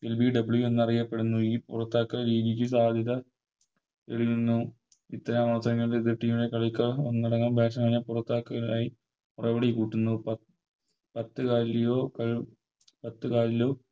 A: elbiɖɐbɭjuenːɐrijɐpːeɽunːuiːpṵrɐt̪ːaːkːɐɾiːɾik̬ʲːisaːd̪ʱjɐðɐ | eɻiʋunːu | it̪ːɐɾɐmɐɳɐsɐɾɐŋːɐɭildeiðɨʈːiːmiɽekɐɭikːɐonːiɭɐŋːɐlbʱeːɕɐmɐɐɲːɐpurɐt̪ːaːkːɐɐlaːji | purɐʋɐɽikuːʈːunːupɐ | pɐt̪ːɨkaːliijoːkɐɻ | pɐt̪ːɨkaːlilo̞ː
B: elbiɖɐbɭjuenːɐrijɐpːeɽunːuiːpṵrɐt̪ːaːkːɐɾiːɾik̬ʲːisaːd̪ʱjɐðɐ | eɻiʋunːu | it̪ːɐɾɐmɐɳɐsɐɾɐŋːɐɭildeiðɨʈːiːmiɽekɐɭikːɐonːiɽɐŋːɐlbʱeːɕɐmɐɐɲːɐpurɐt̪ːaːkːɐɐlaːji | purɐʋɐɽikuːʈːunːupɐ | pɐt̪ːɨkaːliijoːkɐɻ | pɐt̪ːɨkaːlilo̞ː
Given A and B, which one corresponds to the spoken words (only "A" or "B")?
B